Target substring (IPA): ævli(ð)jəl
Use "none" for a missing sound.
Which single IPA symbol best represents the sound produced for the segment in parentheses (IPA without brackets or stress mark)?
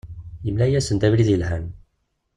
ð